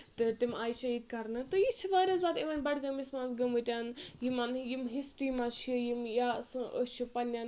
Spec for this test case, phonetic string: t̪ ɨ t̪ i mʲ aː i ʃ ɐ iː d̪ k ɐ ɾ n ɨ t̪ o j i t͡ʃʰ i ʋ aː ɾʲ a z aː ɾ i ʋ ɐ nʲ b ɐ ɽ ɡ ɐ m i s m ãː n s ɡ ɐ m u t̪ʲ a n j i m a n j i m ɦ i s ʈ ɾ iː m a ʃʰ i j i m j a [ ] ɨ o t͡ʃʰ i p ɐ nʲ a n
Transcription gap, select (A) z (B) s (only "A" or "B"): B